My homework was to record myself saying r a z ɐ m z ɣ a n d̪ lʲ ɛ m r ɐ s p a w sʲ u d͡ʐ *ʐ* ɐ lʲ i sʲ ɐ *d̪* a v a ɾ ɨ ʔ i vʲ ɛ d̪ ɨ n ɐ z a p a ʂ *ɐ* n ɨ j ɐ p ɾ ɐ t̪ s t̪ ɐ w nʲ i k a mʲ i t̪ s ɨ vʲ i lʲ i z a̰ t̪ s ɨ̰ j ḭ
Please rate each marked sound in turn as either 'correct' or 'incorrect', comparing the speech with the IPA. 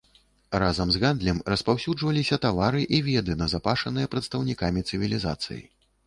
incorrect: v, incorrect: t̪, correct

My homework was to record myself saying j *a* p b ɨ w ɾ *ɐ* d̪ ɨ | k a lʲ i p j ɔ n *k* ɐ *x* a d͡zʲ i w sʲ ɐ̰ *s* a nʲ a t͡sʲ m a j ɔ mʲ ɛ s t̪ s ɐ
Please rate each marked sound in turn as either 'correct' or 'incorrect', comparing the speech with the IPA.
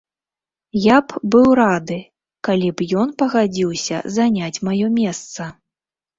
correct, incorrect: a, incorrect: p, incorrect: ɣ, incorrect: z

